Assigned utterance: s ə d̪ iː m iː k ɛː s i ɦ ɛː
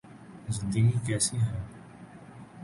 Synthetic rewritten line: z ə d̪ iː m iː k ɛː s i ɦ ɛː